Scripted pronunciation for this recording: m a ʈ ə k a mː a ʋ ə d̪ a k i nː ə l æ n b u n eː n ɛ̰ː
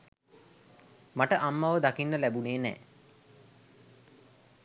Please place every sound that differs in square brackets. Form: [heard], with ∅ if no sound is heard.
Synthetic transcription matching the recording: m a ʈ ə [ʔ] a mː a ʋ ə d̪ a k i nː ə l æ [∅] b u n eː n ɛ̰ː